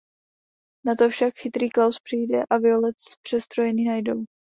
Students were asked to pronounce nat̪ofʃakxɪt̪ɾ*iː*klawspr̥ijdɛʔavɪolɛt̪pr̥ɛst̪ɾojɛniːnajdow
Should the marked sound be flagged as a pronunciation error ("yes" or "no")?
no